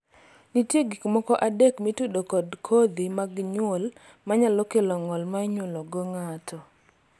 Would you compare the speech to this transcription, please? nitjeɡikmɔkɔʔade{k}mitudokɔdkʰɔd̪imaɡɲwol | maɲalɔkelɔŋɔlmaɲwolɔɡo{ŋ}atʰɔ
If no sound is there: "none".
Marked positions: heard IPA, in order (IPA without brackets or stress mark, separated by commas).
k, ŋ